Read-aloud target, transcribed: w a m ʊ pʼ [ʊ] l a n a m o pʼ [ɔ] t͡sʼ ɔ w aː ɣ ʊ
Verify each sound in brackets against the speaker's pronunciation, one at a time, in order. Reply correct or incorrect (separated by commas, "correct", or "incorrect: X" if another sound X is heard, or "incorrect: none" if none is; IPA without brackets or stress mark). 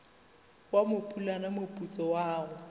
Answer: incorrect: u, incorrect: u